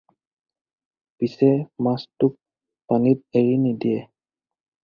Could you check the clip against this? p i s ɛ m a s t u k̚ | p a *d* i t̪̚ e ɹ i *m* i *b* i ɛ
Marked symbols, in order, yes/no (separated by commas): no, no, no